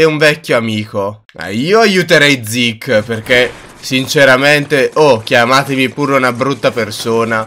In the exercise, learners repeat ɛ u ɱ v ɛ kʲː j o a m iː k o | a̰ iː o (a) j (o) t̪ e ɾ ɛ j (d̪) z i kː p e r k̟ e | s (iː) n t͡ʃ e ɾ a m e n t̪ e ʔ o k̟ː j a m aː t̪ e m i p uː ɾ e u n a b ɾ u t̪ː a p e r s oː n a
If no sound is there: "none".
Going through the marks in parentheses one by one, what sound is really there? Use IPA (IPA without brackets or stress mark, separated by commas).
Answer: a, u, d̪, i